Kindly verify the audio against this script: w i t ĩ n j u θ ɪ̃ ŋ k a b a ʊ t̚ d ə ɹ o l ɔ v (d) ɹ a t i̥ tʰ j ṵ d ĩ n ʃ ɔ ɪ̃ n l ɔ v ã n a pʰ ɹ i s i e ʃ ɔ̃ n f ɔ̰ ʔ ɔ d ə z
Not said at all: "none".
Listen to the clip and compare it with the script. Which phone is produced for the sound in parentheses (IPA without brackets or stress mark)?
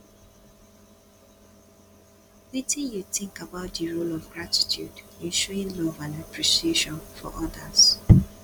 ɡ